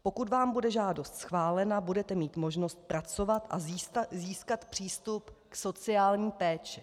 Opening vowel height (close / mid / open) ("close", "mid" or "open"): mid